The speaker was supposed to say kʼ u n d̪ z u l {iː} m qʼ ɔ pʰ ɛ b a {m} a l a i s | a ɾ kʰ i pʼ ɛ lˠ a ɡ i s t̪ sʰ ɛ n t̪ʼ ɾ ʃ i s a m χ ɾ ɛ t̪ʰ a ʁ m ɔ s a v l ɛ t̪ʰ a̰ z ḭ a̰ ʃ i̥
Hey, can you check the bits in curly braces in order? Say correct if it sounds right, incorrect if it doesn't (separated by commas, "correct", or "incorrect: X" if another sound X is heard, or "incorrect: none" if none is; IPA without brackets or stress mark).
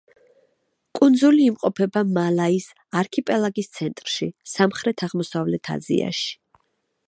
correct, correct